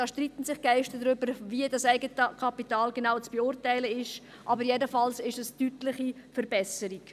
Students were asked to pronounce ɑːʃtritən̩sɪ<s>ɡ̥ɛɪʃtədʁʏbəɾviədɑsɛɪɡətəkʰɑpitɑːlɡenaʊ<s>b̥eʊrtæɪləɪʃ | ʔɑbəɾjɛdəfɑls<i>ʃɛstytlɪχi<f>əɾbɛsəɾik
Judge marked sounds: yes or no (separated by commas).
no, no, no, yes